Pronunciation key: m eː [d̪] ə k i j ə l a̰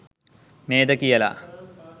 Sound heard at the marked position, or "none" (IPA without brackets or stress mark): d̪